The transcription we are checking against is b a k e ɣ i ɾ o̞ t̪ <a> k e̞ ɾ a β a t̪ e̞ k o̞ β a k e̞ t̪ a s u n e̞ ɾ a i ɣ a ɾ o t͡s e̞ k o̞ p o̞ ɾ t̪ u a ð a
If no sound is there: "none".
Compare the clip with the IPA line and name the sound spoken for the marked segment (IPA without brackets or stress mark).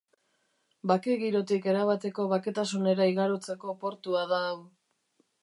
i